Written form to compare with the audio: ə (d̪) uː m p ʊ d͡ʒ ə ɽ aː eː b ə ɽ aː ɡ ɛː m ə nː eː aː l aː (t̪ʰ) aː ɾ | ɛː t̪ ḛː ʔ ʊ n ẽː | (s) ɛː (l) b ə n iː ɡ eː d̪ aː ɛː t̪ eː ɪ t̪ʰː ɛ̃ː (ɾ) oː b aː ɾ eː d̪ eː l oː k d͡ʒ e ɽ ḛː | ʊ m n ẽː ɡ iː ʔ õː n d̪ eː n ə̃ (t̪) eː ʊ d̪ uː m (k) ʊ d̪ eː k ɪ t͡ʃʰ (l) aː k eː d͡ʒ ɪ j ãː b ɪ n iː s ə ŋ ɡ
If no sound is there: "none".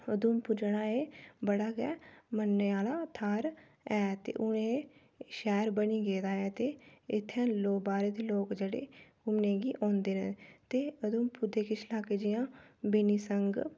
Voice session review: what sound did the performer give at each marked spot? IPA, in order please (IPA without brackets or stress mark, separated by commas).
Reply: d̪, t̪ʰ, ʃ, ɾ, l, t̪, p, l